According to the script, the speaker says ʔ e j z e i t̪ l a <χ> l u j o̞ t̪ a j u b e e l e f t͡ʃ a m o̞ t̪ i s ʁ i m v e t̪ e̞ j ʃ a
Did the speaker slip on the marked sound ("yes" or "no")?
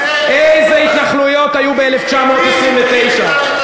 no